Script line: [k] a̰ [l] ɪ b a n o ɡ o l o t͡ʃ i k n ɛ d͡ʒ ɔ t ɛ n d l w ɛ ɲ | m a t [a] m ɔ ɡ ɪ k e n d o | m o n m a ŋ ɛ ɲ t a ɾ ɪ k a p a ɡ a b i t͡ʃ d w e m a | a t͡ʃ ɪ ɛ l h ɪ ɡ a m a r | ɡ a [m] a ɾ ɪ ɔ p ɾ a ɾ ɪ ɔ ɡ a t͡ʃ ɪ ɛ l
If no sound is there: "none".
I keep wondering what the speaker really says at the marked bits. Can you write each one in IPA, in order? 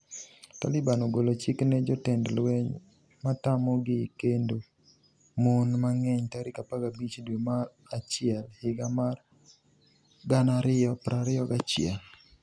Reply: t, l, a, n

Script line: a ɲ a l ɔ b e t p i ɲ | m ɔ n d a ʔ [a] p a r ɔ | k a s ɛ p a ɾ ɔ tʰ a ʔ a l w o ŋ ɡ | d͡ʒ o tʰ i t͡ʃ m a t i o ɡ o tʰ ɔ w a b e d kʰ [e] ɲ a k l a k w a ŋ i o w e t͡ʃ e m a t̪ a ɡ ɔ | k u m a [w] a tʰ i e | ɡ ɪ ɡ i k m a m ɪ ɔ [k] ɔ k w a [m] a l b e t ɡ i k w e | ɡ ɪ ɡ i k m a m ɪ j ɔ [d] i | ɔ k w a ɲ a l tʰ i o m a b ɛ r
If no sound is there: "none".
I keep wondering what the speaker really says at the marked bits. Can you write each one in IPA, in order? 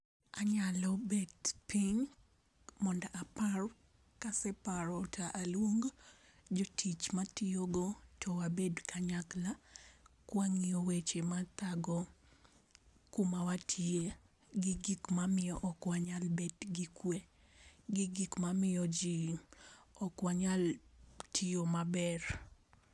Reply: a, a, w, ʔ, ɲ, d͡ʒ

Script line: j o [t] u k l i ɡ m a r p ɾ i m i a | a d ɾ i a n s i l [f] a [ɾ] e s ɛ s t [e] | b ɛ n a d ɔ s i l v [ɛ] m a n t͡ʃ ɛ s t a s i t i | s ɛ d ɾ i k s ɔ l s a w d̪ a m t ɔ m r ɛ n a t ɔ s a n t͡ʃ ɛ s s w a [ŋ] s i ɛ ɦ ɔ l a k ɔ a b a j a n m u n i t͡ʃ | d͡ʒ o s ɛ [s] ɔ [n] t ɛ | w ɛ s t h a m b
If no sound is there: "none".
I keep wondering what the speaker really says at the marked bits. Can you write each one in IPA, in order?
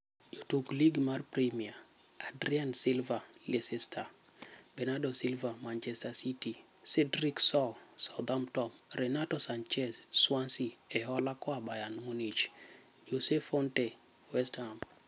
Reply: t, v, l, a, a, n, f, n

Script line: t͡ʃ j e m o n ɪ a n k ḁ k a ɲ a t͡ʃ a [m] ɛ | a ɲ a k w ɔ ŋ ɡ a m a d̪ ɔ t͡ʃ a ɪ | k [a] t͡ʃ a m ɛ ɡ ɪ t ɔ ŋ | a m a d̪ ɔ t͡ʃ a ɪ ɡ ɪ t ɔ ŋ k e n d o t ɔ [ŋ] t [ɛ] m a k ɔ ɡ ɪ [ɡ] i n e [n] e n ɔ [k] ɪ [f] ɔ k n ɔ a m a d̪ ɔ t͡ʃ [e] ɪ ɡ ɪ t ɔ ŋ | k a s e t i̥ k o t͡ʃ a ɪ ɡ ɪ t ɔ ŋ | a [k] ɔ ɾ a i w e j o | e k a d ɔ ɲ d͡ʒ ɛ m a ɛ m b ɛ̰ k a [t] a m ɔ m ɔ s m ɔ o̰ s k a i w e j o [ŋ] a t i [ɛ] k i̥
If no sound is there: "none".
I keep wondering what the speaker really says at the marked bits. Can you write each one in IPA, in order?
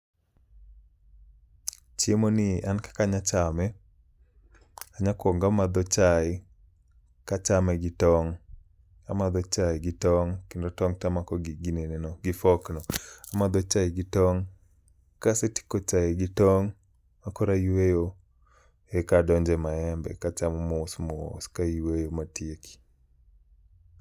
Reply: m, a, ŋ, a, ɡ, n, ɡ, f, a, k, t͡ʃ, m, e

